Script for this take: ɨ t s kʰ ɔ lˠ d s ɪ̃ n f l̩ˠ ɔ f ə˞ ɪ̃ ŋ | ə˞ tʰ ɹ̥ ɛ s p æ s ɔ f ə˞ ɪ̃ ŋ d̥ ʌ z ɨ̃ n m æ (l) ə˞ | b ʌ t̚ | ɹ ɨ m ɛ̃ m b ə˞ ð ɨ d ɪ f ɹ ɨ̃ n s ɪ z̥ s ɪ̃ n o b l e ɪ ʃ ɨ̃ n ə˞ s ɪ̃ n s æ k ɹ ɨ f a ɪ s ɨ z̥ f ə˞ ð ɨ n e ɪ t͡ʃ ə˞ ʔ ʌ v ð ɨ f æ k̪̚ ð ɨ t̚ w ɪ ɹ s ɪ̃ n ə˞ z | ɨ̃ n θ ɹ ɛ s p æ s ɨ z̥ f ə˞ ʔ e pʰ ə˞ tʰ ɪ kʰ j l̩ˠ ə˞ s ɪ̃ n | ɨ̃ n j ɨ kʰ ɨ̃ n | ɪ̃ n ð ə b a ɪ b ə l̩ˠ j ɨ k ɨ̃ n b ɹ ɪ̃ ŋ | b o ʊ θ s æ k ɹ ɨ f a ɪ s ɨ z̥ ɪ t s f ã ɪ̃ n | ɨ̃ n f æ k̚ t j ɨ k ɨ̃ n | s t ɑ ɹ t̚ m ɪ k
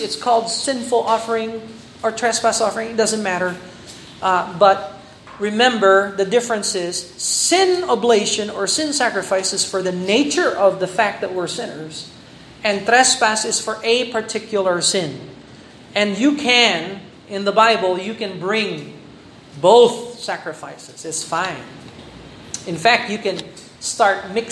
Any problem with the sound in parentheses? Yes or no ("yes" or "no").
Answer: yes